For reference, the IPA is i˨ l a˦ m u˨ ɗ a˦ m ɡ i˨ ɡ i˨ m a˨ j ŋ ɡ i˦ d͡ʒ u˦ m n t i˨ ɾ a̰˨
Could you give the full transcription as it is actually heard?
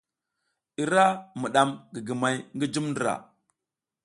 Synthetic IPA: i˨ ɾ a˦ m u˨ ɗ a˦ m ɡ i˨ ɡ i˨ m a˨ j ŋ ɡ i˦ d͡ʒ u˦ m n d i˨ ɾ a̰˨